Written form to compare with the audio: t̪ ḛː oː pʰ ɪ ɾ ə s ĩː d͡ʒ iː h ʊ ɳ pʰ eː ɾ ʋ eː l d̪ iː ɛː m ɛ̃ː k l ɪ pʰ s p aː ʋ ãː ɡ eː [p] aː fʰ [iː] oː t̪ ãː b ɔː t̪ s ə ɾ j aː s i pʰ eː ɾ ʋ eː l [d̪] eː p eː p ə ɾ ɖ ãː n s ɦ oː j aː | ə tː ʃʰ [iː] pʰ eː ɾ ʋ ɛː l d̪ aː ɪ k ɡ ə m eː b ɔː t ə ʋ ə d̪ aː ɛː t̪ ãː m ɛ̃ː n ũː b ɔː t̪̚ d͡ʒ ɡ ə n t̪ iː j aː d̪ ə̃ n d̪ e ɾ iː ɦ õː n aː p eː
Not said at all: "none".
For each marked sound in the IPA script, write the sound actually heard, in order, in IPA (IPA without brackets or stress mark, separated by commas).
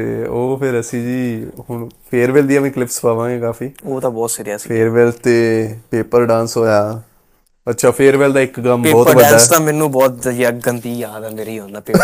k, iː, t̪, aː